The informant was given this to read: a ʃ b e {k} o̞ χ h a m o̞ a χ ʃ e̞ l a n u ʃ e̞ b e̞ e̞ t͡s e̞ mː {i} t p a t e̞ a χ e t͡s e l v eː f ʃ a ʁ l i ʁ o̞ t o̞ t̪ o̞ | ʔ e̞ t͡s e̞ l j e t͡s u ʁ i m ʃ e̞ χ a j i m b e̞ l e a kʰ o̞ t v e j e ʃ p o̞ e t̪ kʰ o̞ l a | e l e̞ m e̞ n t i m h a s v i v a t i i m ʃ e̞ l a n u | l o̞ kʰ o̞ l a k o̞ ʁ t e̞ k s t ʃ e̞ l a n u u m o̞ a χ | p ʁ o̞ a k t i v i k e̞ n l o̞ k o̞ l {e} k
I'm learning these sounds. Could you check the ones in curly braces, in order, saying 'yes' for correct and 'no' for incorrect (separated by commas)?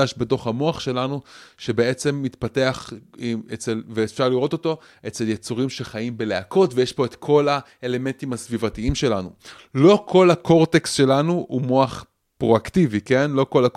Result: no, yes, no